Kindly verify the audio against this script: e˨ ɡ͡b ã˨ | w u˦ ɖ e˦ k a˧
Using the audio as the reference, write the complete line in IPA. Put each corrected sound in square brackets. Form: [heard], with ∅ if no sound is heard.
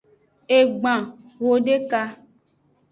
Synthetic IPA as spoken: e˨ ɡ͡b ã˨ | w [o˦] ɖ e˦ k a˧